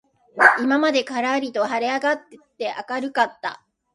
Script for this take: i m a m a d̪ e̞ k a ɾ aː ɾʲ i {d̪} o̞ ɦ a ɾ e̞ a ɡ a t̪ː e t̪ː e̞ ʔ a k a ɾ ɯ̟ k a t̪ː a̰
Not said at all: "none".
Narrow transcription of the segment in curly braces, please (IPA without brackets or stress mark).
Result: t̪